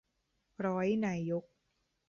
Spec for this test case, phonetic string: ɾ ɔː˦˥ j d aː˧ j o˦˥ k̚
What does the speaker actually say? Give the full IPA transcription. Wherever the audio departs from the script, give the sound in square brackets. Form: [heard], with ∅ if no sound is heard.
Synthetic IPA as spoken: ɾ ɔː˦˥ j [n] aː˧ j o˦˥ k̚